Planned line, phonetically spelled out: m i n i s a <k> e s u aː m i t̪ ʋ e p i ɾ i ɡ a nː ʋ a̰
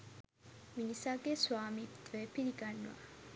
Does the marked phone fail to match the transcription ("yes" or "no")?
yes